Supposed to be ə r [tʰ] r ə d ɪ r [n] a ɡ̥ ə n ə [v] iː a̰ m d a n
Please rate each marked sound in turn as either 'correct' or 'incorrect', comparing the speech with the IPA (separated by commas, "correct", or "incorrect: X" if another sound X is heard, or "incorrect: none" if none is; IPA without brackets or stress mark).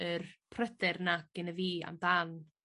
incorrect: pʰ, correct, correct